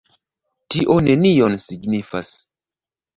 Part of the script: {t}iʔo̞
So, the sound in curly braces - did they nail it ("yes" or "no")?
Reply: yes